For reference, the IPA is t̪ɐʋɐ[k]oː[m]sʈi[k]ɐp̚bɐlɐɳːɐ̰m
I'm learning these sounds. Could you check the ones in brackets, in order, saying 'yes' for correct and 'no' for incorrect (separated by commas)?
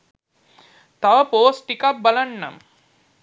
no, no, yes